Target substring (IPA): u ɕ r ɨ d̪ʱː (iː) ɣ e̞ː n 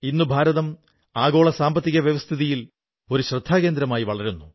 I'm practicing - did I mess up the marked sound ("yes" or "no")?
yes